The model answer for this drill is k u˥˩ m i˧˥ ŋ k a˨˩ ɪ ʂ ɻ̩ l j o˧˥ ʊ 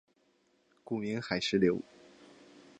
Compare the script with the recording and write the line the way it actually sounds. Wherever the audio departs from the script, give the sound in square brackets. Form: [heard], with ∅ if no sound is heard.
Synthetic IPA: k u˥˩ m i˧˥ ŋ [x] a˨˩ ɪ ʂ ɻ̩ l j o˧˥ ʊ